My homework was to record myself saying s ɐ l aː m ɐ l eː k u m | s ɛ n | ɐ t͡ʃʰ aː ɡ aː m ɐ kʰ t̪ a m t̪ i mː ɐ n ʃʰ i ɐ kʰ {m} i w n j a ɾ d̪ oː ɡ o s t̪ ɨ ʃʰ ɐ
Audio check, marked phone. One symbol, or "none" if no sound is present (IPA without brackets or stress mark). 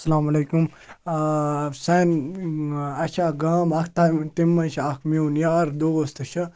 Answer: m